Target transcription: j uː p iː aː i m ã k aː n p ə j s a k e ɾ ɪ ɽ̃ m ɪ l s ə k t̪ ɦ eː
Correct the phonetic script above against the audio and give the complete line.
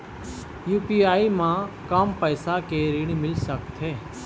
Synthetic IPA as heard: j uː p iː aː i m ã k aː m p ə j s a k e ɾ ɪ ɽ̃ m ɪ l s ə k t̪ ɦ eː